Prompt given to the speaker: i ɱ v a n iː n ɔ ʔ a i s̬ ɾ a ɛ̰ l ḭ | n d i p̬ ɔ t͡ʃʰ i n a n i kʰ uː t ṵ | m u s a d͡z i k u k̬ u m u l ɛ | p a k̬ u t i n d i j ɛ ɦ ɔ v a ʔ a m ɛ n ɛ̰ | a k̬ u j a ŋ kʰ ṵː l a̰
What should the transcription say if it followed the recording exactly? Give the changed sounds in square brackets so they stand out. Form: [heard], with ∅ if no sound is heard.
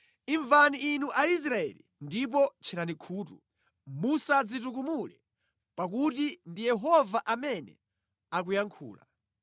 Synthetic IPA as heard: i ɱ v a n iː n [u] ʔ a i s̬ ɾ a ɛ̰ l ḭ | n d i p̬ ɔ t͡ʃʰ i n a n i kʰ uː t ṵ | m u s a d͡z i [t] u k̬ u m u l ɛ | p a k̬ u t i n d i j ɛ ɦ ɔ v a ʔ a m ɛ n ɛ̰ | a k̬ u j a ŋ kʰ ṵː l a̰

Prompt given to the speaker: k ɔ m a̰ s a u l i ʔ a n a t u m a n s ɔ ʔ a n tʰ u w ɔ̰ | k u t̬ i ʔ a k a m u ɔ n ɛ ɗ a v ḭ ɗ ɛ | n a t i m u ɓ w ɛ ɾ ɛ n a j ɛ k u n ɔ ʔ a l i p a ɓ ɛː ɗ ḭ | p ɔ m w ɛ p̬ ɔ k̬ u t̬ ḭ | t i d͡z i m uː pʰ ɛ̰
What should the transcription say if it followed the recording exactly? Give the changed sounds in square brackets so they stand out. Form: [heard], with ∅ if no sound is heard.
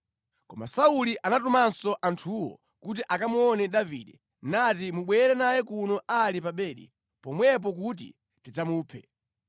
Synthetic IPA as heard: k ɔ m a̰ s a u l i ʔ a n a t u m a n s ɔ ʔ a n tʰ u w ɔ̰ | k u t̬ i ʔ a k a m u ɔ n ɛ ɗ a v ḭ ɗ ɛ | n a t i m u ɓ w ɛ ɾ ɛ n a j ɛ k u n ɔ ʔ a l i p a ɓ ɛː ɗ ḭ | p ɔ m w ɛ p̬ ɔ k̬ u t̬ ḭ | t i d͡z [a] m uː pʰ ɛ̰

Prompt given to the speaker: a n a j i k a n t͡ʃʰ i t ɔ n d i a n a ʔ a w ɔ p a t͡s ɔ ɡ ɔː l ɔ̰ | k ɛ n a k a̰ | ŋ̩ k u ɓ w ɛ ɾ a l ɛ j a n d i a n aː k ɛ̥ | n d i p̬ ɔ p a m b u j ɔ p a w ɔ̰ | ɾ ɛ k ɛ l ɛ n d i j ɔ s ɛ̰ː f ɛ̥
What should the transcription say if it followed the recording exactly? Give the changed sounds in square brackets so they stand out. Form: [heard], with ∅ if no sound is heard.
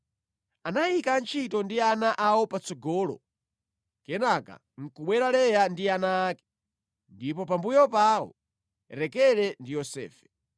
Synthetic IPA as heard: a n a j i k a n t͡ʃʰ i t ɔ n d i a n a ʔ a w ɔ p a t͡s ɔ ɡ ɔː l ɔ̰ | k ɛ n a k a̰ | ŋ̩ k u ɓ w ɛ ɾ a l ɛ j a n d i a n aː k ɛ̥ | n d i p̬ ɔ p a m b u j ɔ p a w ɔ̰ | ɾ ɛ k ɛ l ɛ n d i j ɔ s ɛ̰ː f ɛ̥

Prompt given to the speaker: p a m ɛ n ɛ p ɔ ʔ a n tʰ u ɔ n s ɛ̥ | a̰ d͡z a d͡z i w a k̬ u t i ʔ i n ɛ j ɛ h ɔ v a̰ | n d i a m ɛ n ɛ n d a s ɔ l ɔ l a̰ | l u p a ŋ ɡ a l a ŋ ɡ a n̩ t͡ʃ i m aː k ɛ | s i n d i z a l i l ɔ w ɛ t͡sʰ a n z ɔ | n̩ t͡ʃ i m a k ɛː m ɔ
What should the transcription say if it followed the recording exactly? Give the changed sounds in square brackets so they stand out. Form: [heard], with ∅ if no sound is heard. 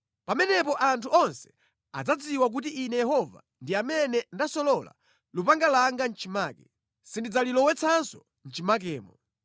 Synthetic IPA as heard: p a m ɛ n ɛ p ɔ ʔ a n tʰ u ɔ n s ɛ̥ | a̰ d͡z a d͡z i w a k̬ u t i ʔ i n ɛ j ɛ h ɔ v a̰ | n d i a m ɛ n ɛ n d a s ɔ l ɔ l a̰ | l u p a ŋ ɡ a l a ŋ ɡ a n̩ t͡ʃ i m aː k ɛ | s i n d i [d͡z] a l i l ɔ w ɛ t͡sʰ a n [s] ɔ | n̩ t͡ʃ i m a k ɛː m ɔ

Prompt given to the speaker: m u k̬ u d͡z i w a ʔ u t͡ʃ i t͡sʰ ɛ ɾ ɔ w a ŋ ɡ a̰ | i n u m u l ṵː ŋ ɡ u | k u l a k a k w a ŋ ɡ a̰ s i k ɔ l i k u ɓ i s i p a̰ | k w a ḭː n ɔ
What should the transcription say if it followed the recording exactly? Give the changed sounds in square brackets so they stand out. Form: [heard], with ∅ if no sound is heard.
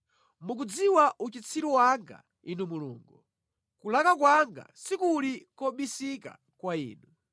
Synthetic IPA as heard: m u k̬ u d͡z i w a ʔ u t͡ʃ i t͡sʰ [i] ɾ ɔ w a ŋ ɡ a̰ | i n u m u l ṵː ŋ ɡ u | k u l a k a k w a ŋ ɡ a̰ s i k [u] l i k [ɔ] ɓ i s i [k] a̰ | k w a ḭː n [u]

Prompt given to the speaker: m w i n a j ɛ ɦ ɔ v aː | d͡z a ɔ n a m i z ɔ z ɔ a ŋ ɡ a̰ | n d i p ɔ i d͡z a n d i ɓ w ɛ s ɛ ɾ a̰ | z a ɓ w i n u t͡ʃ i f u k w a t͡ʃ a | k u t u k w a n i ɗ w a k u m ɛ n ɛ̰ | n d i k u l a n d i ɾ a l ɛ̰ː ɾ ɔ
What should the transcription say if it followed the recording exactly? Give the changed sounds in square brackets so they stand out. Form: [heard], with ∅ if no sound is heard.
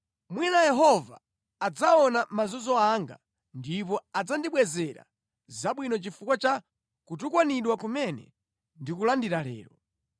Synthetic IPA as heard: m w i n a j ɛ ɦ ɔ v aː | d͡z a ɔ n a m [a] z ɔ z ɔ a ŋ ɡ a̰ | n d i p ɔ [a] d͡z a n d i ɓ w ɛ [z] ɛ ɾ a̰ | z a ɓ w i n [ɔ] t͡ʃ i f u k w a t͡ʃ a | k u t u k w a n i ɗ w a k u m ɛ n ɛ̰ | n d i k u l a n d i ɾ a l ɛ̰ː ɾ ɔ

